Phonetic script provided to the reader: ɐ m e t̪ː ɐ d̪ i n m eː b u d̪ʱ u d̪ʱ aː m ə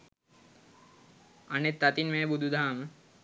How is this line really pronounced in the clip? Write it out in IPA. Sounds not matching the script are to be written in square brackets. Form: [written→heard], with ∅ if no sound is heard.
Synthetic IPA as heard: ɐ [m→n] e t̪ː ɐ [d̪→t̪] i n m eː b u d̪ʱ u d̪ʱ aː m ə